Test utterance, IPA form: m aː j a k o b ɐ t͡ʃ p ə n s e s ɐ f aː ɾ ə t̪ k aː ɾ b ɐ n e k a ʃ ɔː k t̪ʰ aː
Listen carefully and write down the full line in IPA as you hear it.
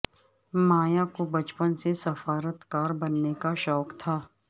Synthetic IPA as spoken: m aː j a k o b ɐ t͡ʃ p ə n s e s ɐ f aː ɾ ə t̪ k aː ɾ b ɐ nː e k a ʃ ɔː k t̪ʰ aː